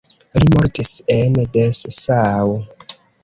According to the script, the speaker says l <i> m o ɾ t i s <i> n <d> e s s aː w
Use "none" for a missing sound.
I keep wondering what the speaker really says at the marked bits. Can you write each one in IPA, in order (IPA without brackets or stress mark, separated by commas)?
i, e, d